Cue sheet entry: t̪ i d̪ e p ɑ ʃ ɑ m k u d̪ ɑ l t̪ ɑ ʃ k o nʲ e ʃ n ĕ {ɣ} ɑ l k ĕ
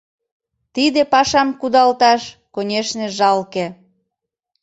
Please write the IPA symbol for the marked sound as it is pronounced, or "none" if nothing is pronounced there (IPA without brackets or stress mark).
ʒ